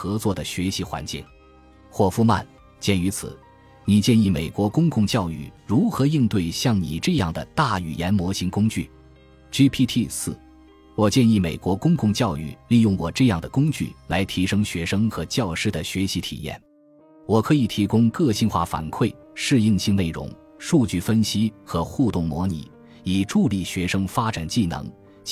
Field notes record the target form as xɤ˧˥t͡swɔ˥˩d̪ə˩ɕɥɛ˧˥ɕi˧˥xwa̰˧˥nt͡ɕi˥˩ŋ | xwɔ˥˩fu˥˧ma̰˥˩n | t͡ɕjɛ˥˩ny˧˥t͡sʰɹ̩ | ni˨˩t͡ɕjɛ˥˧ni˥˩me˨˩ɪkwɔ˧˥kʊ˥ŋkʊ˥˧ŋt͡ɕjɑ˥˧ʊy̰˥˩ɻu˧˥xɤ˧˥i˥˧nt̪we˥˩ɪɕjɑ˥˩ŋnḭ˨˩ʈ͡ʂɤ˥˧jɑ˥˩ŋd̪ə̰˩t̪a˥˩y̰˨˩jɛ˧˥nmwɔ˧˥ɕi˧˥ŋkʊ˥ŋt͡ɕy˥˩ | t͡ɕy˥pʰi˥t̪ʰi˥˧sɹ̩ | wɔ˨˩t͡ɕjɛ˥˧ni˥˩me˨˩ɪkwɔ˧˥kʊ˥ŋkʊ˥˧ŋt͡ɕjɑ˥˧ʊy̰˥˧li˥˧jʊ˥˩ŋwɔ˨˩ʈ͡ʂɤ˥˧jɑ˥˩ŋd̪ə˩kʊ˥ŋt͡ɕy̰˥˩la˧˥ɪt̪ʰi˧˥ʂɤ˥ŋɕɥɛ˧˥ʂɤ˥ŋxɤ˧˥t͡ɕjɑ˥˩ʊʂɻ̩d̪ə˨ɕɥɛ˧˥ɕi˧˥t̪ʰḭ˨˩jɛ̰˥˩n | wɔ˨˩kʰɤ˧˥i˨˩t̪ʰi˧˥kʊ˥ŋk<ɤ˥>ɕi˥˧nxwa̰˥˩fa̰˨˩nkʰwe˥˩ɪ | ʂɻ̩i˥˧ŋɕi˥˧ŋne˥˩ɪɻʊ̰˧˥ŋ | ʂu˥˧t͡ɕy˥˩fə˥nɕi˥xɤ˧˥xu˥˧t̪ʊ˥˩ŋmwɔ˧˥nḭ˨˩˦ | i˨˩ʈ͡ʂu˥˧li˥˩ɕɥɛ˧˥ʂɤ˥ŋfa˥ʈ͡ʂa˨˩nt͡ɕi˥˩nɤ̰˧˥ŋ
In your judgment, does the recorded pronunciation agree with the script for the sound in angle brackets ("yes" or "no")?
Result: no